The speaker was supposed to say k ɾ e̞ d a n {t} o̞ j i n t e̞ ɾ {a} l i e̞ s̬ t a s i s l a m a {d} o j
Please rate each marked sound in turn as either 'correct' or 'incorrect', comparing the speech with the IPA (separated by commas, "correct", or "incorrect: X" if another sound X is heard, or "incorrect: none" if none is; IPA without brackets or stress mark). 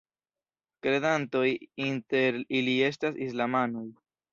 correct, incorrect: i, incorrect: n